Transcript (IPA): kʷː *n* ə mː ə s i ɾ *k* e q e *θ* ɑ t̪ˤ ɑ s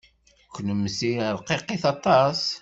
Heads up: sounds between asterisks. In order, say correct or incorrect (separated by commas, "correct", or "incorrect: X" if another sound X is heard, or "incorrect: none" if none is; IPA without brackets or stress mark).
correct, incorrect: q, correct